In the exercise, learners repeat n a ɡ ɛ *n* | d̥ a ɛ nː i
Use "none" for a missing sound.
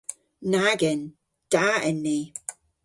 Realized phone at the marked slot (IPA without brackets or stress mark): n